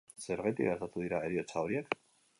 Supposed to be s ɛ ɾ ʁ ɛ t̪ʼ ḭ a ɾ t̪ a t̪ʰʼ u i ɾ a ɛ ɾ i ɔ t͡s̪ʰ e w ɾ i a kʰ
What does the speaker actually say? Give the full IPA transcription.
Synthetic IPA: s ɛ ɾ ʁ ɛ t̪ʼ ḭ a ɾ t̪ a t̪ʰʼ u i ɾ a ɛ ɾ i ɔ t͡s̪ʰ a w ɾ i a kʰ